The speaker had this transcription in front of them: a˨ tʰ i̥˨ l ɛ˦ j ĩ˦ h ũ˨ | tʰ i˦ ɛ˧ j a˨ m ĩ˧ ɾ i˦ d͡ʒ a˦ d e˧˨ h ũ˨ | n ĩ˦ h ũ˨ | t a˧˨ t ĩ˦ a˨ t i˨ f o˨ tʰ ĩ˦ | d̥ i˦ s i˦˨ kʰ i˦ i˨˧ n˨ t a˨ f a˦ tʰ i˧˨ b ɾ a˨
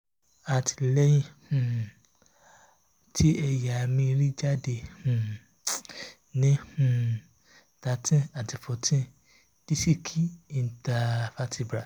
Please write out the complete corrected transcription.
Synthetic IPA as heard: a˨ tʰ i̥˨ l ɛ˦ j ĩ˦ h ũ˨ | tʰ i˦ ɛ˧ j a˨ m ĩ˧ ɾ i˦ d͡ʒ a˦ d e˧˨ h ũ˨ | n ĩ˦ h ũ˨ | t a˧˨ t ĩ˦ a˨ t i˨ f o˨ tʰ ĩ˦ | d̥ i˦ s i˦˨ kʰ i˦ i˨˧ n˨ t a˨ f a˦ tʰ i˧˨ b ɾ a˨